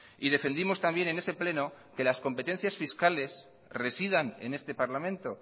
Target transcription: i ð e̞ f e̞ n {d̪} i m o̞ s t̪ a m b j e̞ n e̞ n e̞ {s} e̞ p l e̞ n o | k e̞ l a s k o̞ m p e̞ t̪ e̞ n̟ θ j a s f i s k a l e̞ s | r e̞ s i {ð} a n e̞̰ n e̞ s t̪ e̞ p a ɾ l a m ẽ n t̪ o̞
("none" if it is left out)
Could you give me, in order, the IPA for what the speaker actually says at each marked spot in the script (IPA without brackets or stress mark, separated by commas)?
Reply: d̪, s, ð